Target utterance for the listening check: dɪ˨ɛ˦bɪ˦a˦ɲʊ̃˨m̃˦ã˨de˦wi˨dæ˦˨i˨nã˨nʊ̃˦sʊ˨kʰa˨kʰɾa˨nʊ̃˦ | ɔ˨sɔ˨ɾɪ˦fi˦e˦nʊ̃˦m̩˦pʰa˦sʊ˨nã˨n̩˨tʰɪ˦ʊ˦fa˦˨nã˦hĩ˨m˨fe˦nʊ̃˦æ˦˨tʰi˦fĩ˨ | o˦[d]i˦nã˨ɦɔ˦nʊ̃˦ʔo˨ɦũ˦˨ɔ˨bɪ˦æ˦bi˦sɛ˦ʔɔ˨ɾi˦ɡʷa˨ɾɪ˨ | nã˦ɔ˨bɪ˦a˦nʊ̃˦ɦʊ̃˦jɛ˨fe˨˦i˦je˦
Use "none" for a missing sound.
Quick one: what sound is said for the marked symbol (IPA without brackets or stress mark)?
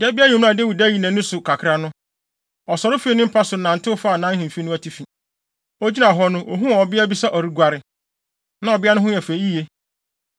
d͡ʑ